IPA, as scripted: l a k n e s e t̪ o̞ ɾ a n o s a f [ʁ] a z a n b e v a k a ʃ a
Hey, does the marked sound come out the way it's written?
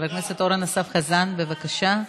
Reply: no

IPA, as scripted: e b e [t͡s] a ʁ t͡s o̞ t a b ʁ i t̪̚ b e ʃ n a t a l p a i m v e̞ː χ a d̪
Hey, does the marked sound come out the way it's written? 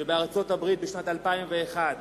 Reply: no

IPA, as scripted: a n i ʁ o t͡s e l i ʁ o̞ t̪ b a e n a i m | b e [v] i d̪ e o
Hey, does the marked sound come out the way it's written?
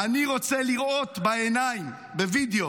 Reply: yes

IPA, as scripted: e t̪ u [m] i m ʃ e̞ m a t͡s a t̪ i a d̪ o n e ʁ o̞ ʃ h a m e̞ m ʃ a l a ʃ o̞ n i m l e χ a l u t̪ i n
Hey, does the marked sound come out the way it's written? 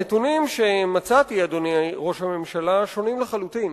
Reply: no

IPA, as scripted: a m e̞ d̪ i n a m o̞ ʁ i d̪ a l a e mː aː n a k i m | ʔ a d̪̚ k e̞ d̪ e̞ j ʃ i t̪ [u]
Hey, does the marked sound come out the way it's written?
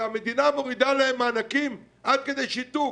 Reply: yes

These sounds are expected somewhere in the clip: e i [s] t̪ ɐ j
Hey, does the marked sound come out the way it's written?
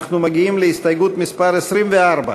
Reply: yes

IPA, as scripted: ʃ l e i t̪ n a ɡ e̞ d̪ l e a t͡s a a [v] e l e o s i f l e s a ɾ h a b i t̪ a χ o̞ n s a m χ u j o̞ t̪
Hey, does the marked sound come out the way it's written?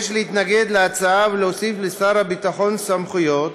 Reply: yes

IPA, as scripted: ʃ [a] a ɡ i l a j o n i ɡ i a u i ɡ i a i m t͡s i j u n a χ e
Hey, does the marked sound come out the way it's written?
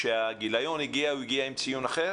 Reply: no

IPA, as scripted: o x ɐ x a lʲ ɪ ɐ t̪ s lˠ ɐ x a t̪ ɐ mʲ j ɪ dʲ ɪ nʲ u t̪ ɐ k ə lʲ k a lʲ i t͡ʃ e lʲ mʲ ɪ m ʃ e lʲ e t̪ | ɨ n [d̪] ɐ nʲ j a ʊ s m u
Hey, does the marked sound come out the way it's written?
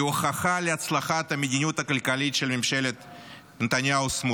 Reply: no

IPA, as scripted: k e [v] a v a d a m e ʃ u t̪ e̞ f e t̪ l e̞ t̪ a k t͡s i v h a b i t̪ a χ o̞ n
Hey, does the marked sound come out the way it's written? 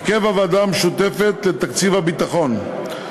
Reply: yes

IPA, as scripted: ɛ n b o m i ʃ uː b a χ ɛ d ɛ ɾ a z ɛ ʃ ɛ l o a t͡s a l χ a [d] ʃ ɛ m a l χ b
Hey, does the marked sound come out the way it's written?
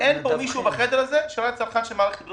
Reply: no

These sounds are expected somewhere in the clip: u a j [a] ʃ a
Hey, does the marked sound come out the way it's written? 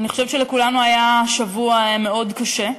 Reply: yes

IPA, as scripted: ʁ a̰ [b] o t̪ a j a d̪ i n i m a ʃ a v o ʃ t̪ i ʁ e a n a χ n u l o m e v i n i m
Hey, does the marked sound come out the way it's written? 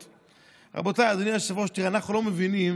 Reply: yes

